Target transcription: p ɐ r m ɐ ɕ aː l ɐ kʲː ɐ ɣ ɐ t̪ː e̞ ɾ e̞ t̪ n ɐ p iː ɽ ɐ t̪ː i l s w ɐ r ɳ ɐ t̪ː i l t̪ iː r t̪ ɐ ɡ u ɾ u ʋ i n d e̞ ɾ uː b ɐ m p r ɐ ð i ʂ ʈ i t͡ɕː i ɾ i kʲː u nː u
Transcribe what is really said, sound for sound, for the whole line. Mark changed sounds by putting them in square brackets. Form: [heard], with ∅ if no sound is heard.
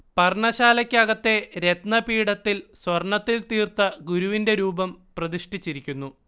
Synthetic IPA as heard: p ɐ r [ɳ] ɐ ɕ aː l ɐ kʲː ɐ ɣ ɐ t̪ː e̞ ɾ e̞ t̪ n ɐ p iː ɽ ɐ t̪ː i l s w ɐ r ɳ ɐ t̪ː i l t̪ iː r t̪ ɐ ɡ u ɾ u ʋ i n d e̞ ɾ uː b ɐ m p r ɐ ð i ʂ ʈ i t͡ɕː i ɾ i kʲː u nː u